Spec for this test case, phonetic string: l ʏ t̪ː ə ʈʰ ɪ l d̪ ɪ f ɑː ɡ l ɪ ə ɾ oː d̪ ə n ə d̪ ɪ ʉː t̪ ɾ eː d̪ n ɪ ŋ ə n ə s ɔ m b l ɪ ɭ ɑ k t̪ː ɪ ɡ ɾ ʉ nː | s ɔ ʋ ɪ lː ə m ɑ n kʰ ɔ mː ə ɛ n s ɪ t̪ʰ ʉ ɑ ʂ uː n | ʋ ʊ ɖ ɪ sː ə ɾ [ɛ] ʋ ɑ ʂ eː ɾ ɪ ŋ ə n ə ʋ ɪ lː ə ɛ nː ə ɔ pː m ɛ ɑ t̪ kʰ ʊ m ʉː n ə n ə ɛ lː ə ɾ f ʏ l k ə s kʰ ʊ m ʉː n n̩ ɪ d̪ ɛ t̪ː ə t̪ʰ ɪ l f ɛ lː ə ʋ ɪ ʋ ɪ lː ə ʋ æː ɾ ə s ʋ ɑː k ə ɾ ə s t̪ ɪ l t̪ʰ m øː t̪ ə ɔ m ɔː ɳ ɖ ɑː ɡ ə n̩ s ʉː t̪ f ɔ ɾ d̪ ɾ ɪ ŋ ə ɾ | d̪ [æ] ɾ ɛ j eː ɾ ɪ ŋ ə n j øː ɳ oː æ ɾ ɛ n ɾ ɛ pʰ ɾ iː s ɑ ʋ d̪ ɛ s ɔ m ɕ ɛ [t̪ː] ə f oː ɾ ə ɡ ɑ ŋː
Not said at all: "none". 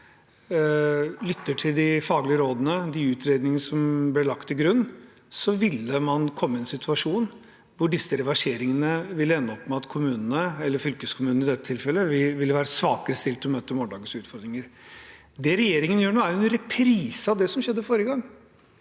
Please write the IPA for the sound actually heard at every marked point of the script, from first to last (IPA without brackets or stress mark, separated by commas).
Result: ɛ, ɛ, d̪ː